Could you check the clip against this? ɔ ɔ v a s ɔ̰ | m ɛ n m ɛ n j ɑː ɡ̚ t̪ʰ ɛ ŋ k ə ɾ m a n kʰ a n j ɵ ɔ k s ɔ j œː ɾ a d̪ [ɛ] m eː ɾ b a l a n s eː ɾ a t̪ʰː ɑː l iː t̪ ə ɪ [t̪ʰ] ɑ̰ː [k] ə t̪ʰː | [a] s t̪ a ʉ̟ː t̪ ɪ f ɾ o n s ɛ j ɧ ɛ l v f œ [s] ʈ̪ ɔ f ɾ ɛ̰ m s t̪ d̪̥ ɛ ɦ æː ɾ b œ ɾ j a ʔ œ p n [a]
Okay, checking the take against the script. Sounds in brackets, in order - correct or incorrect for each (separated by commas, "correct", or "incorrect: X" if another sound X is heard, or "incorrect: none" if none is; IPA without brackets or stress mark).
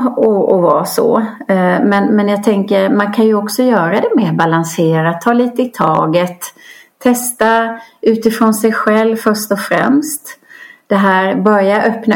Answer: correct, correct, incorrect: ɡ, incorrect: ɛ, incorrect: ʂ, correct